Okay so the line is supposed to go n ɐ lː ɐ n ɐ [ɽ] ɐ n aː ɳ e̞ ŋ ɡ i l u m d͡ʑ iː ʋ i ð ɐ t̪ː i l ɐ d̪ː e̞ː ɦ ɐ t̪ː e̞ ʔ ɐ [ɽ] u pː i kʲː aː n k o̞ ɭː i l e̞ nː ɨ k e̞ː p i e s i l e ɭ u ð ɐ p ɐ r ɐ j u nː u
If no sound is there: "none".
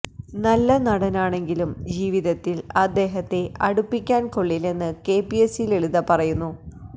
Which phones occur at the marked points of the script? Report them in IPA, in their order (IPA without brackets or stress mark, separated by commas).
ɽ, ɽ